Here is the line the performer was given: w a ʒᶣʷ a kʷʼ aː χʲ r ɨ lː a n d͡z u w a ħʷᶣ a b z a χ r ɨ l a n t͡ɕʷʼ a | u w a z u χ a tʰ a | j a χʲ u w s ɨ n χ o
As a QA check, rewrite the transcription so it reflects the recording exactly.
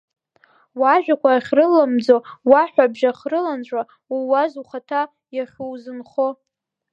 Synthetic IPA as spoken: w a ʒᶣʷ a kʷ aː χʲ r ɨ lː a m d͡z o w a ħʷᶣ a b ʒ a χ r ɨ l a n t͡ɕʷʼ a | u w a z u χ a tʰ a | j a χʲ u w z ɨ n χ o